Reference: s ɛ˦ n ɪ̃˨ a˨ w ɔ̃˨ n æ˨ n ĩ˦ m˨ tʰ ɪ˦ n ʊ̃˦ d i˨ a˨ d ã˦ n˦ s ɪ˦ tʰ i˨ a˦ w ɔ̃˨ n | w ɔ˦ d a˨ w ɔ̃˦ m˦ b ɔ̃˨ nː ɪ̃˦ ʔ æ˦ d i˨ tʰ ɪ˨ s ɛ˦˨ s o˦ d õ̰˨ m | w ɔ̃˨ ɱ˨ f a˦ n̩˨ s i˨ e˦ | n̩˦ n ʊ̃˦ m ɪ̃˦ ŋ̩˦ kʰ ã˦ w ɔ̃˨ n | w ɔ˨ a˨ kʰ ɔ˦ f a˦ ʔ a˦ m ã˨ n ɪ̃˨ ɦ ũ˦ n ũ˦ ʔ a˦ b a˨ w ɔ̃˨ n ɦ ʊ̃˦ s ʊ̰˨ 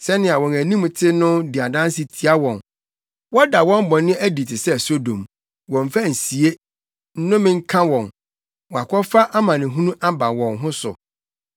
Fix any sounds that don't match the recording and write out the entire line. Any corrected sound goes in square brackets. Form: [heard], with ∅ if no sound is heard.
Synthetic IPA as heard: s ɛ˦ n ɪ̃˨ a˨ w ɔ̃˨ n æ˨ n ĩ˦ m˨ tʰ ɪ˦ n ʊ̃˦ d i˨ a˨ d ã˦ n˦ s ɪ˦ tʰ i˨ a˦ w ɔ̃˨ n | w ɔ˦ d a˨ w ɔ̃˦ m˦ b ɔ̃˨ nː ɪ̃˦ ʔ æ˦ d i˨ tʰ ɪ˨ s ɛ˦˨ s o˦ d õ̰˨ m | w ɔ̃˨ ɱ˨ f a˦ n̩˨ s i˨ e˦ | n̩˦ n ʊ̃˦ m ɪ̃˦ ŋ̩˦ kʰ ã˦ w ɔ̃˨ n | w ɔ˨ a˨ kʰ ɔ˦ f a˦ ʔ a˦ m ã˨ n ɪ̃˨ ɦ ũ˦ n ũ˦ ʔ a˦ b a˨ w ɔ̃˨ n ɦ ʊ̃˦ s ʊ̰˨